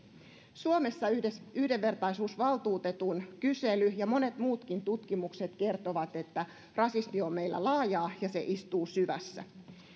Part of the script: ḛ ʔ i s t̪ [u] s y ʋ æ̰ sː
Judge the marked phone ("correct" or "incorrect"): incorrect